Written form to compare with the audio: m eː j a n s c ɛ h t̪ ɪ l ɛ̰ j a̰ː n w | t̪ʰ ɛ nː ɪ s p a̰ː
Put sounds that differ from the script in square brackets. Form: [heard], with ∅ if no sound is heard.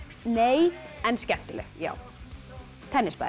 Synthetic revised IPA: [n] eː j [ɛ] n s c ɛ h t̪ ɪ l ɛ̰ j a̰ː [∅] w | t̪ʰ ɛ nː ɪ s p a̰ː